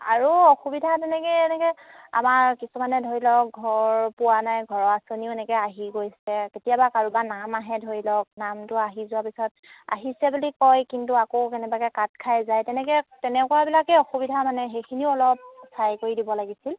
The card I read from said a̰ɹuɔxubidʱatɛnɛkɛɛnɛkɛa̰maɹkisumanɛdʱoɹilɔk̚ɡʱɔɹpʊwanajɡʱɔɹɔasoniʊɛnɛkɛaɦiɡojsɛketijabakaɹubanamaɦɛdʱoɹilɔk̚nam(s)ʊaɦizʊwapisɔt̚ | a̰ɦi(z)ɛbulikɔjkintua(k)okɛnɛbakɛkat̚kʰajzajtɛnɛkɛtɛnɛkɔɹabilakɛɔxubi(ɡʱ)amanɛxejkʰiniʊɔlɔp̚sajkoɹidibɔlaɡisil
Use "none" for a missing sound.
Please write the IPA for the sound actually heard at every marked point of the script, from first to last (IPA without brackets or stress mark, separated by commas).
t, s, k, dʱ